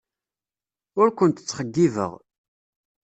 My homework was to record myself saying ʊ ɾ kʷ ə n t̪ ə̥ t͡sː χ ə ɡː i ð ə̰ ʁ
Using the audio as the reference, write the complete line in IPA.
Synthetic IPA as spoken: ʊ ɾ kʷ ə n t̪ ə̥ t͡sː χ ə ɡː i v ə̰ ʁ